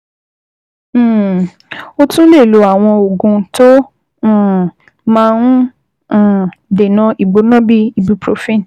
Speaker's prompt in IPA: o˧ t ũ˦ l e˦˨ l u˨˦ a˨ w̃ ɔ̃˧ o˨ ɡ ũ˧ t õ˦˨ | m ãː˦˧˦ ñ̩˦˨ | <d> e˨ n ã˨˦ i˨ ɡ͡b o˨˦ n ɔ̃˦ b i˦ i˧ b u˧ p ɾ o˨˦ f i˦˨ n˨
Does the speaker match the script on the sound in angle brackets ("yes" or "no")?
yes